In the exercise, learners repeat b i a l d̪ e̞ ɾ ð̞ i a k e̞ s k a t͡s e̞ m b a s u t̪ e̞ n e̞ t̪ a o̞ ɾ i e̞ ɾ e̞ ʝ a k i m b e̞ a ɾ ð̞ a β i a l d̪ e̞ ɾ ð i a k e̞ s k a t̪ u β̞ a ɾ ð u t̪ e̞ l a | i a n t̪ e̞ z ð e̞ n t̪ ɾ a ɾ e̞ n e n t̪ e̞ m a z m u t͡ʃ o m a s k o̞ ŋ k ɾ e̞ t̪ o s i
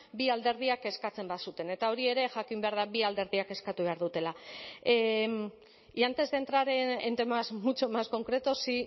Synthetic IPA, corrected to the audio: b i a l d̪ e̞ ɾ ð̞ i a k e̞ s k a t͡s e̞ m b a s u t̪ e̞ n e̞ t̪ a o̞ ɾ i e̞ ɾ e̞ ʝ a k i m b e̞ a ɾ ð̞ a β i a l d̪ e̞ ɾ ð i a k e̞ s k a t̪ u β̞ a ɾ ð u t̪ e̞ l a | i a n t̪ e̞ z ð e̞ n t̪ ɾ a ɾ e̞ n e n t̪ e̞ m a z m u t͡ʃ o m a s k o̞ ŋ k ɾ e̞ t̪ o s i